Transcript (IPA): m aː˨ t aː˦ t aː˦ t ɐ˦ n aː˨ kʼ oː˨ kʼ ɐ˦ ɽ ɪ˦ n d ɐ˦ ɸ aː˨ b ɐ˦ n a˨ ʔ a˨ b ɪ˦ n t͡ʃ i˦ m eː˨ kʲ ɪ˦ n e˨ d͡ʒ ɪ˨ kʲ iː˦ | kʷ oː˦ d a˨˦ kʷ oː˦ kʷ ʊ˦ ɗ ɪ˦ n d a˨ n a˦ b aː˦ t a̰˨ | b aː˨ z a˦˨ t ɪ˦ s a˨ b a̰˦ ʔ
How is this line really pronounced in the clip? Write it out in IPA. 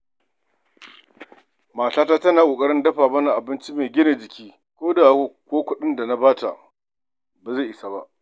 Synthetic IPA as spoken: m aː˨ t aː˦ t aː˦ t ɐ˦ n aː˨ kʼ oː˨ kʼ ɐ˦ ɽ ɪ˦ n d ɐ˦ ɸ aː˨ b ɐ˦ n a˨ ʔ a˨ b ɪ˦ n t͡ʃ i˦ m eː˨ ɡʲ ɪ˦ n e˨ d͡ʒ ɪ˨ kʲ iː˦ | kʷ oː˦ d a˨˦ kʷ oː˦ kʷ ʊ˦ ɗ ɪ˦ n d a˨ n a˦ b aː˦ t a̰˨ | b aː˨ z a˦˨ ʔ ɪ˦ s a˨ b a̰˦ ʔ